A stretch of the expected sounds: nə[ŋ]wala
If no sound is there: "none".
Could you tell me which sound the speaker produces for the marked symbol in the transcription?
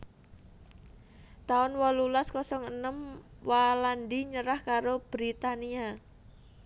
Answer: m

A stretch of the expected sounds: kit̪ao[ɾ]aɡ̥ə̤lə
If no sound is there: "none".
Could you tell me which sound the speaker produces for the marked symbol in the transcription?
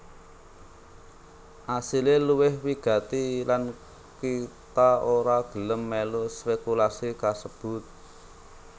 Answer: ɾ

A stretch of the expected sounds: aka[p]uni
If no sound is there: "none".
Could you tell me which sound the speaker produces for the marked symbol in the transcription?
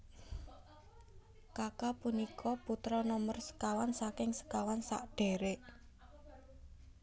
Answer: p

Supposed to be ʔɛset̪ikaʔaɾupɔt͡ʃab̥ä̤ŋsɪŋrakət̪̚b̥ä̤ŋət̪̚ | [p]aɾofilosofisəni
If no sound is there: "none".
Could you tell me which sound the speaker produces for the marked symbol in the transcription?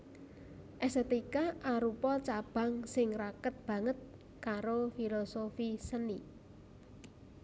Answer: k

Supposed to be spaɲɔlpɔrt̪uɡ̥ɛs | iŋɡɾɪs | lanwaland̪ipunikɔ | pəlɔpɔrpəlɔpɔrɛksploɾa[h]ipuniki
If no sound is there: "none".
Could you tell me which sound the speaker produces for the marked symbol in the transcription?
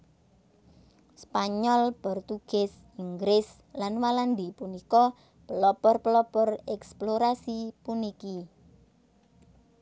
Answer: s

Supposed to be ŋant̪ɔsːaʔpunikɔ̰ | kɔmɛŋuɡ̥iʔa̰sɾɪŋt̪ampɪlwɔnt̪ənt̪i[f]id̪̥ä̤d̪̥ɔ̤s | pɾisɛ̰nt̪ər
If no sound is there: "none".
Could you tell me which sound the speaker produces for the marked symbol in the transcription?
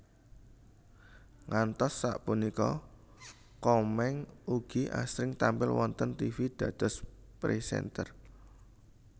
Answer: f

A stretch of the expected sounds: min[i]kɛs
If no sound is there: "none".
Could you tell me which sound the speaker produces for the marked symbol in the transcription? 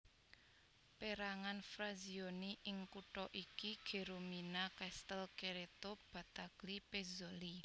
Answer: a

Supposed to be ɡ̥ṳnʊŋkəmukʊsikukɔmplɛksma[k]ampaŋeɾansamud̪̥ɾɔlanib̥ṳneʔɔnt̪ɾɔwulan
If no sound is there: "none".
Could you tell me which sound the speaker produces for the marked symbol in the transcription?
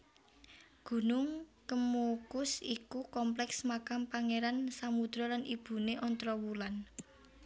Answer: k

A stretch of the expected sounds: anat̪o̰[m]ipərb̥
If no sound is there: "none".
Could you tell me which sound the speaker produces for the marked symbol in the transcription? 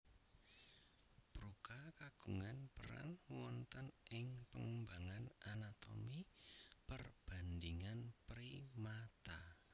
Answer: m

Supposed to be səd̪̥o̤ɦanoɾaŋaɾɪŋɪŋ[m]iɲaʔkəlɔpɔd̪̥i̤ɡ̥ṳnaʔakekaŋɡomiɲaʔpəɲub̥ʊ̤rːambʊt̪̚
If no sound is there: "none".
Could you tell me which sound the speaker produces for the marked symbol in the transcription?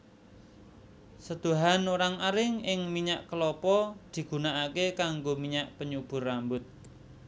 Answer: m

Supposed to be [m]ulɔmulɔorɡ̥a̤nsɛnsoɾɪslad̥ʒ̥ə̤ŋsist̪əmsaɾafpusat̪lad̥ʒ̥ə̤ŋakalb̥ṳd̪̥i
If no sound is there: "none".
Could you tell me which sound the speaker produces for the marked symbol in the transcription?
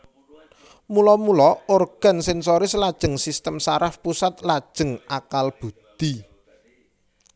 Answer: m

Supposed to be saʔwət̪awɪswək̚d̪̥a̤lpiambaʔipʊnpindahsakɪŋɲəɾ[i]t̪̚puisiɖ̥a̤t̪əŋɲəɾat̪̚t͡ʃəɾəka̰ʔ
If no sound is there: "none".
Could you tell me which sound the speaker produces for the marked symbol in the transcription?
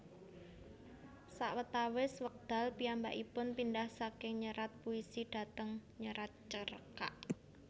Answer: a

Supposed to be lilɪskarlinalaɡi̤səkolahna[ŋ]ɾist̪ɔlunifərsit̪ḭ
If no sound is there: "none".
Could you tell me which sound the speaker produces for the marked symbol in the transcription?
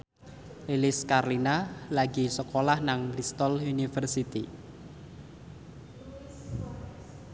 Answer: ŋ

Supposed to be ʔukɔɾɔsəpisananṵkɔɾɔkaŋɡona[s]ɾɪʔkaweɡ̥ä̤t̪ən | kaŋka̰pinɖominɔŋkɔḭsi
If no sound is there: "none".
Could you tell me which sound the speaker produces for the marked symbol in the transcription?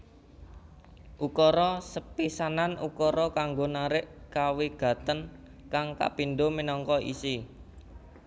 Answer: none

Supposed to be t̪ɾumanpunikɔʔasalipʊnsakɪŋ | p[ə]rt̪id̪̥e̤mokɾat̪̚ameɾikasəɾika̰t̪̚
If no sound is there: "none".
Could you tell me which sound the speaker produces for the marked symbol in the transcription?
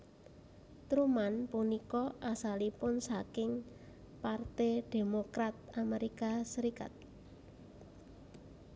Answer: a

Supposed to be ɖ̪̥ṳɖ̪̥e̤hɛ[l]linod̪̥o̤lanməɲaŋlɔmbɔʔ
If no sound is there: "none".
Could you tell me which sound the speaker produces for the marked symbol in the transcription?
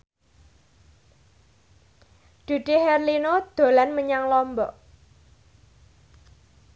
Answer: r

